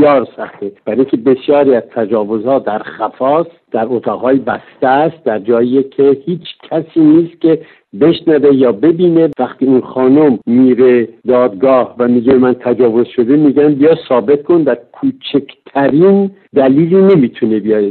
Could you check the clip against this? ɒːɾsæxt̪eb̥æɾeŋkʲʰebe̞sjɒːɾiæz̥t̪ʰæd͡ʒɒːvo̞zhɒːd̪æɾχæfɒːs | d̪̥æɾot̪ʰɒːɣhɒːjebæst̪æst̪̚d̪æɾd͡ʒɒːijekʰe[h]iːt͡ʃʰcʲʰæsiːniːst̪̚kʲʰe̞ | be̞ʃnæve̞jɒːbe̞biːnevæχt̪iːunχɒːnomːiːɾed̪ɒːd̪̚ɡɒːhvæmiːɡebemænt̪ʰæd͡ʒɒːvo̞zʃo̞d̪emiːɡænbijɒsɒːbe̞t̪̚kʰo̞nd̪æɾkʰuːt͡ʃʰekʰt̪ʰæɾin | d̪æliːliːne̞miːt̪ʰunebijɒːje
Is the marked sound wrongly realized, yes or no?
no